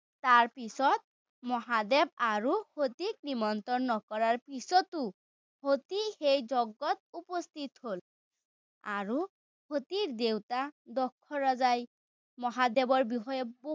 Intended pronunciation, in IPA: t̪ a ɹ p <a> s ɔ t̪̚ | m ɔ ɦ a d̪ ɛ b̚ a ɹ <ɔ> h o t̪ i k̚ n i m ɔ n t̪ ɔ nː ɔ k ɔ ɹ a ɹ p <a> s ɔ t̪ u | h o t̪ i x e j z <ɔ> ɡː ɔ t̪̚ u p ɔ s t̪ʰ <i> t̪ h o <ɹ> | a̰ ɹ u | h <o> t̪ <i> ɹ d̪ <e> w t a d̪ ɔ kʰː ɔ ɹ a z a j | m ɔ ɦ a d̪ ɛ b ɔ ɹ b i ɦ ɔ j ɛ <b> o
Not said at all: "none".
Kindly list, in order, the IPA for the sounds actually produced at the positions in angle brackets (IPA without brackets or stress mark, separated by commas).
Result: i, u, i, ɔ, i, l, o, i, e, b